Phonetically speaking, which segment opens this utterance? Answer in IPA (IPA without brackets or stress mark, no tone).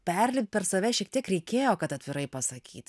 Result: pʲ